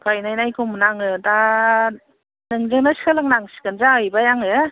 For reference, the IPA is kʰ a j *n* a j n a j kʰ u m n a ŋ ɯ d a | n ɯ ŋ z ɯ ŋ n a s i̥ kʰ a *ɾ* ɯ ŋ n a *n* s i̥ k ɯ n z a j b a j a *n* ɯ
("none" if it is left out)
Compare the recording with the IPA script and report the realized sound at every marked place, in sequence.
n, l, ŋ, ŋ

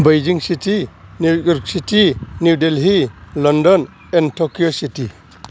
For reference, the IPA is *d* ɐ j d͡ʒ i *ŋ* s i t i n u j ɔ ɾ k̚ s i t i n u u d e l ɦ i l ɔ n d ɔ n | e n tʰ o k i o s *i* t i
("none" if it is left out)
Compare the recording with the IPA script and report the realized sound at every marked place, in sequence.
b, ŋ, i

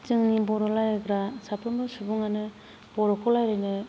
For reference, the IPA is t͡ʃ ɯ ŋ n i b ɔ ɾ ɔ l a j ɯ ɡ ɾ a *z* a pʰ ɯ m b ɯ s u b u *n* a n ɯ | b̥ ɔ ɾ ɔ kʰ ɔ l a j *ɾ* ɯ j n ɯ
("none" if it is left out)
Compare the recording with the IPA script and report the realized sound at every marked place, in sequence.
s, ŋ, ɾ

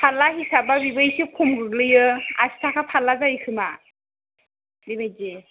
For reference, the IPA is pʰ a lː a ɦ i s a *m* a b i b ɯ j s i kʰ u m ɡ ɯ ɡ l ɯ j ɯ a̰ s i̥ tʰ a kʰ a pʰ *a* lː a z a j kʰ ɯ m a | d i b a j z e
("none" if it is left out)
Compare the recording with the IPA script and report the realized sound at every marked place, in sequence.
b, a

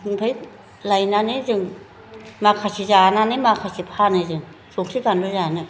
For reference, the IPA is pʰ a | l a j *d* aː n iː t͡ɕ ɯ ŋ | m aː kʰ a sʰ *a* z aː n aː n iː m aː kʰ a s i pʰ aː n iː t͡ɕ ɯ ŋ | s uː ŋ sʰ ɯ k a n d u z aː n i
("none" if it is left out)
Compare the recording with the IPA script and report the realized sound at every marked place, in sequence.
n, i

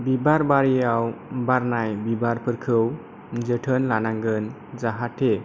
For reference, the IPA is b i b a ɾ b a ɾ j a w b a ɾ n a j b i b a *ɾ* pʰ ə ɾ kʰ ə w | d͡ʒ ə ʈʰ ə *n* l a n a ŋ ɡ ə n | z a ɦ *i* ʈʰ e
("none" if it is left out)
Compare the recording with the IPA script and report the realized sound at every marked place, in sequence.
ɾ, n, a

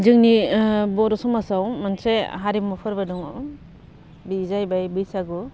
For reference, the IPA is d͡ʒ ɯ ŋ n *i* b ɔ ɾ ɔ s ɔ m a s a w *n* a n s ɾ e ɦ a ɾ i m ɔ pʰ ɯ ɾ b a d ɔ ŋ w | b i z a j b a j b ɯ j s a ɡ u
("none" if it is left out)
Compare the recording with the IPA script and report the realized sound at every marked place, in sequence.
i, m

